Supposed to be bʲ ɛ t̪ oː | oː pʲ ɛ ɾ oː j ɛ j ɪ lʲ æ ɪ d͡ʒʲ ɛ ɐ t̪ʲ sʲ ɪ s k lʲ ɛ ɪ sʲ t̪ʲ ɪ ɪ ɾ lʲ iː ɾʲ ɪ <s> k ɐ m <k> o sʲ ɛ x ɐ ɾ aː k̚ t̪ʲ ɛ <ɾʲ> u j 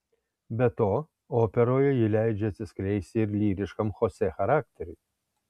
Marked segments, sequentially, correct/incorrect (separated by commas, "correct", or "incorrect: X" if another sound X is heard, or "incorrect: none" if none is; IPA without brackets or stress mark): incorrect: ʃ, incorrect: x, correct